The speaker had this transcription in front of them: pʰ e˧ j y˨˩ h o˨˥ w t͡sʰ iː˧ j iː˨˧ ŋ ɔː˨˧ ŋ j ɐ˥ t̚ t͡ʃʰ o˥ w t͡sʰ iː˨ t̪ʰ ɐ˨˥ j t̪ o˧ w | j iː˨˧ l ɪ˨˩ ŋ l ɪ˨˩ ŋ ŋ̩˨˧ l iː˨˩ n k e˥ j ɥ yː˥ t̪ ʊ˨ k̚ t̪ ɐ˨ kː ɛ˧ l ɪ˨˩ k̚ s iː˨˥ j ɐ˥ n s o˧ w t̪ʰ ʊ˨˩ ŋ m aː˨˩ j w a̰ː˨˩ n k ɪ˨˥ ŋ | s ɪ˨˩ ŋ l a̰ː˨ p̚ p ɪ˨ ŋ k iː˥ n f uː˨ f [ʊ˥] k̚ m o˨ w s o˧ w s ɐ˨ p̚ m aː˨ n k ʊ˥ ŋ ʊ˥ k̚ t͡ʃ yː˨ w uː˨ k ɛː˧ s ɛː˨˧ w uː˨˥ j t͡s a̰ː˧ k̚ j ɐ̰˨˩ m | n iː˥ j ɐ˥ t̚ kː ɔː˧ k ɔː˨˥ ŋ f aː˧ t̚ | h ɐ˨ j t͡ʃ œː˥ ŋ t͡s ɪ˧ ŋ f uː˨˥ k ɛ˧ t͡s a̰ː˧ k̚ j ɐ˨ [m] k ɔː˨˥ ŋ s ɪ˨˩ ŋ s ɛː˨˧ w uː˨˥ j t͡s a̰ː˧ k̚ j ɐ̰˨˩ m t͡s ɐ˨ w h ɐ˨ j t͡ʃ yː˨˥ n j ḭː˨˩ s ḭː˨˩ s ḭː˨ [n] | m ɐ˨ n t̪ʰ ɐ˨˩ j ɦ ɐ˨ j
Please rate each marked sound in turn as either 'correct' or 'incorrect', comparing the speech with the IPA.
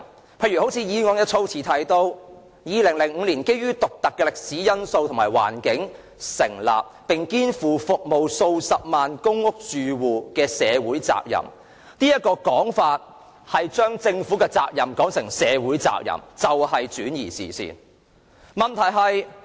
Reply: incorrect, correct, correct

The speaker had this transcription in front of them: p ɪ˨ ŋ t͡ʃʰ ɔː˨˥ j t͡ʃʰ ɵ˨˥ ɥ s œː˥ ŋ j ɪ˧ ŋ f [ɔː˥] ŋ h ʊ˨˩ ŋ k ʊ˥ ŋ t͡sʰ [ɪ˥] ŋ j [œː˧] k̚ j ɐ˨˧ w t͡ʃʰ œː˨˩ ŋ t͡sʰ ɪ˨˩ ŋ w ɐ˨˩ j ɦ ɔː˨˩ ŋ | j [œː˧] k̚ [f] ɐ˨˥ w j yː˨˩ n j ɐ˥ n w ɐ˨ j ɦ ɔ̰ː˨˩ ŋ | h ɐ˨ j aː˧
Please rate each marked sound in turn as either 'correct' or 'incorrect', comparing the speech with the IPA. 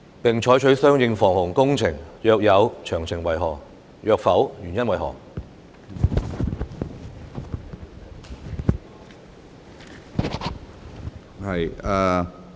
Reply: incorrect, incorrect, correct, correct, correct

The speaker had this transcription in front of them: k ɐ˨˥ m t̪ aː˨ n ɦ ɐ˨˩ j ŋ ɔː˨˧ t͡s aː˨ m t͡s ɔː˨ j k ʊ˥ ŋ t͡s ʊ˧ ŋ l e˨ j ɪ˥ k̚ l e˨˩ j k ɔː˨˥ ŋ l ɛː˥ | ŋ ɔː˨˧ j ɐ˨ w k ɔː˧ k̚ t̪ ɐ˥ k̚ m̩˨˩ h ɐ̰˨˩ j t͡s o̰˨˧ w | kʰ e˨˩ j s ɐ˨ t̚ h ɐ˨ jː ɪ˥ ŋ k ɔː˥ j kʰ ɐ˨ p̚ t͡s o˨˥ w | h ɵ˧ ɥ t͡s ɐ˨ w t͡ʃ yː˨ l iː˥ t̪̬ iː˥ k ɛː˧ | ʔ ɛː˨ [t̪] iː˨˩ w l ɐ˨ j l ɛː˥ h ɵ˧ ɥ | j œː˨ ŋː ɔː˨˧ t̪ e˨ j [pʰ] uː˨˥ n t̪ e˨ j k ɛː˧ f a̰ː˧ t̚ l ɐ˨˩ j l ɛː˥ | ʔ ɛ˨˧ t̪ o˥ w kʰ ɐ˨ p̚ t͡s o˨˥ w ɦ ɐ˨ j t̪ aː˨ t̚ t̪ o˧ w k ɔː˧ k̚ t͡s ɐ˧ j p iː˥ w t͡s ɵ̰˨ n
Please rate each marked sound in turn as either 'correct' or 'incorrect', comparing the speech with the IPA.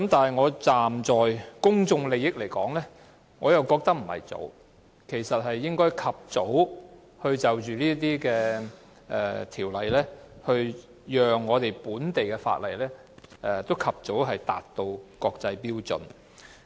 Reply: incorrect, incorrect

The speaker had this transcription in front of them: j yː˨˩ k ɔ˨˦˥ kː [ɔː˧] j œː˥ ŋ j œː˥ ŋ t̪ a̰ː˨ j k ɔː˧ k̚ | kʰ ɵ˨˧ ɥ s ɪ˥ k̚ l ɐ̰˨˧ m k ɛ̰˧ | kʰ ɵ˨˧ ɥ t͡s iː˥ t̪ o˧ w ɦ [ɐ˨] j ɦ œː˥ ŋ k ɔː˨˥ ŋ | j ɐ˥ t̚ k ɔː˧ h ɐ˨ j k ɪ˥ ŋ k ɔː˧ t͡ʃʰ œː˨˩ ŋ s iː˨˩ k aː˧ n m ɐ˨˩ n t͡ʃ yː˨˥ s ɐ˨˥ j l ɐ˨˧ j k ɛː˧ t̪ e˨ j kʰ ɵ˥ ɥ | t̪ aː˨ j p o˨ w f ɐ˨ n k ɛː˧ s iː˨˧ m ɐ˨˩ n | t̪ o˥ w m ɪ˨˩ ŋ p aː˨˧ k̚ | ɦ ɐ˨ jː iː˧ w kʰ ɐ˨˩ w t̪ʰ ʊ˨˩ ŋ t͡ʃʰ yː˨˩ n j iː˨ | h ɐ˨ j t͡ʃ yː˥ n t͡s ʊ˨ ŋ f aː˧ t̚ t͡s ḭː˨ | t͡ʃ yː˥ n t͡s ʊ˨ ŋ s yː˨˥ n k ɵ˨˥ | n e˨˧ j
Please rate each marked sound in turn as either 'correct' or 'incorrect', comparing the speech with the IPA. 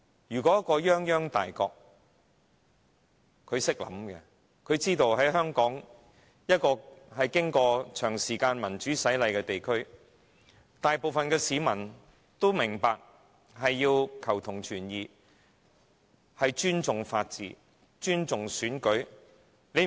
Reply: correct, incorrect

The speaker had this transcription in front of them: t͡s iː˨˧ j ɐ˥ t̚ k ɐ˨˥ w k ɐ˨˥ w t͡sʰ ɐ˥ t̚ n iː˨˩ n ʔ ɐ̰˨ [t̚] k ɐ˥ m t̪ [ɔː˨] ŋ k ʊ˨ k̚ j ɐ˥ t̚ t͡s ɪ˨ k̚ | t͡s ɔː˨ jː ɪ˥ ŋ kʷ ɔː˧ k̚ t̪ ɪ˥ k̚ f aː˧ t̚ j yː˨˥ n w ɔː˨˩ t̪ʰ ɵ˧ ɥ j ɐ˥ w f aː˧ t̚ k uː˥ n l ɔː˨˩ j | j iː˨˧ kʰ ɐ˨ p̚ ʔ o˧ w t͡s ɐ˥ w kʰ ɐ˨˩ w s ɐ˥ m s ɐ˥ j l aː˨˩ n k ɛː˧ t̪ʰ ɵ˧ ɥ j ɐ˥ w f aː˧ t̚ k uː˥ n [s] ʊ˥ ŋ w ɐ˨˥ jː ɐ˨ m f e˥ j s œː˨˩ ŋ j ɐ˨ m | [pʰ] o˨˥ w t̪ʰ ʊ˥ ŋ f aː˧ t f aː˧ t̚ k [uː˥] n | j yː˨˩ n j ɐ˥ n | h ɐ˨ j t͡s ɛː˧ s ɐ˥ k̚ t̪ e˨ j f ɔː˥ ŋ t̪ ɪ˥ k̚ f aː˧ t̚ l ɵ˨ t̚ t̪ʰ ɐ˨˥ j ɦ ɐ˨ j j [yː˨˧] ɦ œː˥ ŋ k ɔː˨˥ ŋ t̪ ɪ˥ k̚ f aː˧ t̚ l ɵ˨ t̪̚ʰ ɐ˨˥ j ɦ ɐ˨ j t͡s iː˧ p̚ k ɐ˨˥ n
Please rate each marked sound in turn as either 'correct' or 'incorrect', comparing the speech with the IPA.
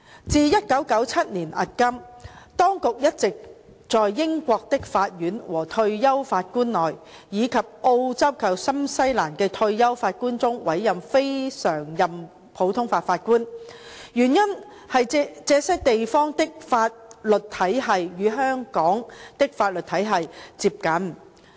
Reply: correct, incorrect, incorrect, correct, correct, correct

